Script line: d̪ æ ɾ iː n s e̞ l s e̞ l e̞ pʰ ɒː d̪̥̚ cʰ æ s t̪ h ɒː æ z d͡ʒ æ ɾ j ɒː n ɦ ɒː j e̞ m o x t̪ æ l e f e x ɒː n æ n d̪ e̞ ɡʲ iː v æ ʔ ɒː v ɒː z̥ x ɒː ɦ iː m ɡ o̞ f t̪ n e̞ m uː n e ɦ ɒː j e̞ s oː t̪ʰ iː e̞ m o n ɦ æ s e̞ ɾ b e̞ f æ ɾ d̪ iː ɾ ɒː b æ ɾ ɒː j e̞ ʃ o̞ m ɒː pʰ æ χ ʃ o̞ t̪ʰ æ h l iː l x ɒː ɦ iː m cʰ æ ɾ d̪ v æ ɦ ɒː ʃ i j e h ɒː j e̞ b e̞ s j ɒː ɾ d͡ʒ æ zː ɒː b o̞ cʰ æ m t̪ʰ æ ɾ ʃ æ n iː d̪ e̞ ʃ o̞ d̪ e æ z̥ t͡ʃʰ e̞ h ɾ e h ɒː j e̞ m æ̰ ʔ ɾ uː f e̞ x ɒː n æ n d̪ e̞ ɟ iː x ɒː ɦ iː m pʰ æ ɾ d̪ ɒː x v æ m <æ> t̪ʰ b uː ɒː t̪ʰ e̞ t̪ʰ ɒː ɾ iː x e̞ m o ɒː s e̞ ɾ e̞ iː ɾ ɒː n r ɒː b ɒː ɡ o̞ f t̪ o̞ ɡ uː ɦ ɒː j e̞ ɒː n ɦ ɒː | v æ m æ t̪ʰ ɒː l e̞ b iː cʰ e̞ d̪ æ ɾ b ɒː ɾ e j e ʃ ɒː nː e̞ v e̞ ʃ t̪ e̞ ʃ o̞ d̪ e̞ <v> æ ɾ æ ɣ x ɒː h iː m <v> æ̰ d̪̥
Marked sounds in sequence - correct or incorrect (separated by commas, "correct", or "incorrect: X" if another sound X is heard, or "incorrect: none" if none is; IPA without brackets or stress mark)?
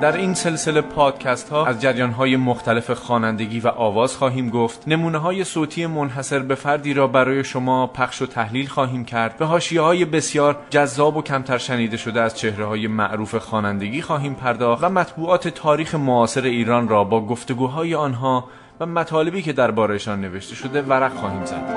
correct, correct, incorrect: z